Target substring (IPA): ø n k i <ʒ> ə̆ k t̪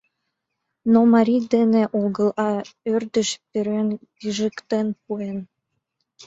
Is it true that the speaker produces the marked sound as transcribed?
yes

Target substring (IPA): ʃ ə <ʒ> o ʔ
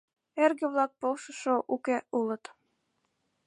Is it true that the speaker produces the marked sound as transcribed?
no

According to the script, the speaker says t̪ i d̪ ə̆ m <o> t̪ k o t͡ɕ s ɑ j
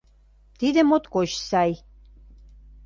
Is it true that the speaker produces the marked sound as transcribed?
yes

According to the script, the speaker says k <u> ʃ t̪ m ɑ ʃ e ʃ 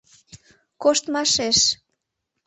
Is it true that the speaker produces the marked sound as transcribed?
no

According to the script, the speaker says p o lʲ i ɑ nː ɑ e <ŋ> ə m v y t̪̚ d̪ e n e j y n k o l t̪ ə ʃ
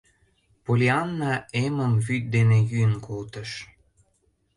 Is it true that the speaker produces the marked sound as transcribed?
no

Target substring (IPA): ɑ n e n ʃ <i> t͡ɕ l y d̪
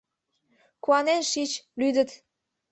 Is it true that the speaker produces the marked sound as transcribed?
yes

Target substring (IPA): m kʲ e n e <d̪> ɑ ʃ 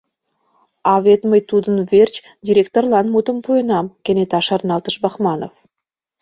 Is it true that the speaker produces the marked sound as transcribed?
no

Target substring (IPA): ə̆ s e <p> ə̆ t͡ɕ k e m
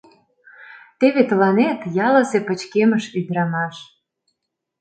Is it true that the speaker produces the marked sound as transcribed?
yes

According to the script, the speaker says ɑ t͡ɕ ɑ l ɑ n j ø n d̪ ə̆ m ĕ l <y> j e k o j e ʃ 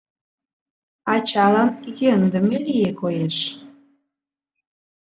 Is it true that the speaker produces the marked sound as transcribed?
no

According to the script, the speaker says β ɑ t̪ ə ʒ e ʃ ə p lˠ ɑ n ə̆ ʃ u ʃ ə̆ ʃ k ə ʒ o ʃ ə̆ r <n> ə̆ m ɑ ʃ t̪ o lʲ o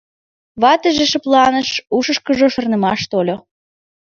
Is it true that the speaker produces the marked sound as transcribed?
yes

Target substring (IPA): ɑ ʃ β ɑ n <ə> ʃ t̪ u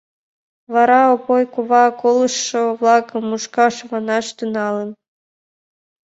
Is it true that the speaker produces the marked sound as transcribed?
no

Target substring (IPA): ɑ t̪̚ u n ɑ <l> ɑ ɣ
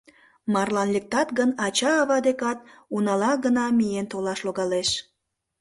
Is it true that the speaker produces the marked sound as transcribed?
yes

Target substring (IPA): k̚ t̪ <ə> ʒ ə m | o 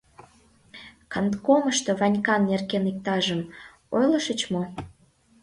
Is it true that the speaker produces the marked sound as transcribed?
no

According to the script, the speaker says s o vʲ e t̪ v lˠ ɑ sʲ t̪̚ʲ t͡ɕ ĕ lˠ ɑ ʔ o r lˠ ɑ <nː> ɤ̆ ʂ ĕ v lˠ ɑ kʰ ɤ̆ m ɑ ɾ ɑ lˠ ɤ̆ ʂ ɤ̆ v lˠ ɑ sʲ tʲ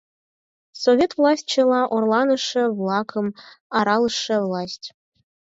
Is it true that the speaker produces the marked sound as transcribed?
no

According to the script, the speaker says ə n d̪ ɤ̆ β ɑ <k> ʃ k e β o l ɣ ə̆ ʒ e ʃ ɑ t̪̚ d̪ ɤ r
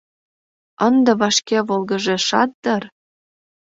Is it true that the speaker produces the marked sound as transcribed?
no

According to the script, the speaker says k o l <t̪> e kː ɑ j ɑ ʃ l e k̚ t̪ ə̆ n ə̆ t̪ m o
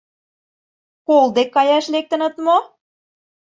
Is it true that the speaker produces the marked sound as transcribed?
no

